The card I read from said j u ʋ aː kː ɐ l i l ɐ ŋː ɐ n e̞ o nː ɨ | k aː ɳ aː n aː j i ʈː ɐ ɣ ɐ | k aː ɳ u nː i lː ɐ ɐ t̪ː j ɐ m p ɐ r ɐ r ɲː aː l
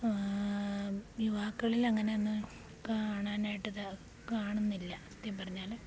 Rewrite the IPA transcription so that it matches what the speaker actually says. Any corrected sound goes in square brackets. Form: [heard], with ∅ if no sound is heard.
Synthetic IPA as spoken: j u ʋ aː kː ɐ [ɭ] i l ɐ ŋː ɐ n e̞ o nː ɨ | k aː ɳ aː n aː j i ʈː ɐ [ð] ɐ | k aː ɳ u nː i lː ɐ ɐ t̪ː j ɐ m p ɐ r ɐ [∅] ɲː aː l